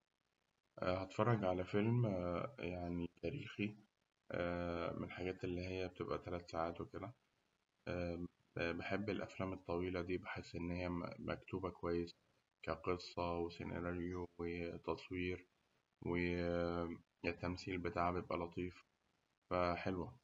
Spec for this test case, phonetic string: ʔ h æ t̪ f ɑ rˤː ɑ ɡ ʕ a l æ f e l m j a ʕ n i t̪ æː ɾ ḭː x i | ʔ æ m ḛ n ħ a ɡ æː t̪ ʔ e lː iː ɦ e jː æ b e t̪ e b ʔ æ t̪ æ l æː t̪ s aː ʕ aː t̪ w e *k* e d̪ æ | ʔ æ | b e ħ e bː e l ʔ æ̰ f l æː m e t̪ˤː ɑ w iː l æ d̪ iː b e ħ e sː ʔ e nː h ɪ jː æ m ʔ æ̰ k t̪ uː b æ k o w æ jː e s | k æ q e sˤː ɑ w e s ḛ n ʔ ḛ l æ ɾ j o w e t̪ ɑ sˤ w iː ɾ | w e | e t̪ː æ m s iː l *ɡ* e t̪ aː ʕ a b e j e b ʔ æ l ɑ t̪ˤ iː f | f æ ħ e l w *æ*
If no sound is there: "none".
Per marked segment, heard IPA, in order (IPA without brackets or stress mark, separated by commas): k, b, æ